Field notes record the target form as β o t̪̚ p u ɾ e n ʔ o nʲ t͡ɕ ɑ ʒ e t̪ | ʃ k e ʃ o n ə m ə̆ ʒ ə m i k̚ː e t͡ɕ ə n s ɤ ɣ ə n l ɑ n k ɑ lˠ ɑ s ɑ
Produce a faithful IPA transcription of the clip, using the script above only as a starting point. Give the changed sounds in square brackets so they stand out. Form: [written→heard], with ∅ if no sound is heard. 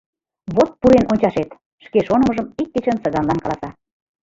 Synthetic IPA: β o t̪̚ p u ɾ e n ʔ o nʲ t͡ɕ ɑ [ʒ→ʃ] e t̪ | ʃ k e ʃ o n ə m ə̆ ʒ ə m i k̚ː e t͡ɕ ə n s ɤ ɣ [ə→ɑ] n l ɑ n k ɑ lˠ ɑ s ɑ